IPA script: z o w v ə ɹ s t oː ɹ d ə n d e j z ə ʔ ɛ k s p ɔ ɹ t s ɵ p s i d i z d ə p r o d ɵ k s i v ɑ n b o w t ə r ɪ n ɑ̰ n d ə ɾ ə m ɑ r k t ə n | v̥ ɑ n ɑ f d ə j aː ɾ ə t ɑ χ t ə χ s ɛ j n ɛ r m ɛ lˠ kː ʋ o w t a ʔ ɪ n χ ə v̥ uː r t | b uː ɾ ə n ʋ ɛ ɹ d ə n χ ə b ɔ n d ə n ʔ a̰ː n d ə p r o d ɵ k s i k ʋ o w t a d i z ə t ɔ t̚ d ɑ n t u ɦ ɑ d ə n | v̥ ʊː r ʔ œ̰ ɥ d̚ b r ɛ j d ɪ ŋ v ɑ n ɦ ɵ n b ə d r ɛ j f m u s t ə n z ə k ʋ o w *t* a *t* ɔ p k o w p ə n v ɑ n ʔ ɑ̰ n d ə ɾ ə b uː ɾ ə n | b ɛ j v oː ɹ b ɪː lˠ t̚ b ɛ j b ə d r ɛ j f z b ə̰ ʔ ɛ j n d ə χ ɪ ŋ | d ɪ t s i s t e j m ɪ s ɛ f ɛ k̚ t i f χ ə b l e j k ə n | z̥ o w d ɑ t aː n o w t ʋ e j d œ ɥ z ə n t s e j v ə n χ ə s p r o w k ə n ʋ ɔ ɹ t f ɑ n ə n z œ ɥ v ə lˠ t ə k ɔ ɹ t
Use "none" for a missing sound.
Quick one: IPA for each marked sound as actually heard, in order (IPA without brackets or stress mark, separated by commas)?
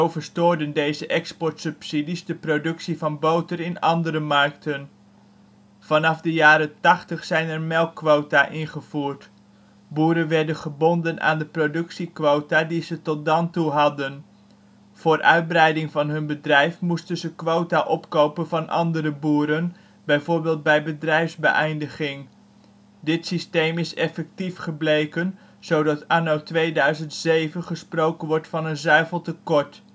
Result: t, ʔ